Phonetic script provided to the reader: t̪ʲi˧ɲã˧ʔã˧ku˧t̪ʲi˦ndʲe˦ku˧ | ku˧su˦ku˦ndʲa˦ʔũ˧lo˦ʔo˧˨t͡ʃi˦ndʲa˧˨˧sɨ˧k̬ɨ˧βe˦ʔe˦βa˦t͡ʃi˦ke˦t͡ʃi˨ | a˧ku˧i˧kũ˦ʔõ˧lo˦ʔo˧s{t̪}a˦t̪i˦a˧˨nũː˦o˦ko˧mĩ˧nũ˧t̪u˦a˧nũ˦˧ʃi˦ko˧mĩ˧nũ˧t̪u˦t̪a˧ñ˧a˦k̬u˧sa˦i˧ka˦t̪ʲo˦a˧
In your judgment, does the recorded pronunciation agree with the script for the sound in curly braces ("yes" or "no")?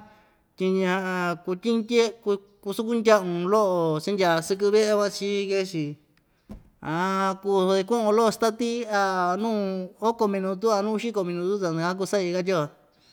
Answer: yes